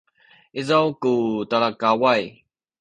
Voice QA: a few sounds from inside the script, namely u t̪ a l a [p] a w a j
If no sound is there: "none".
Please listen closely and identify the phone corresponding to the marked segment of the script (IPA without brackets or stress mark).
k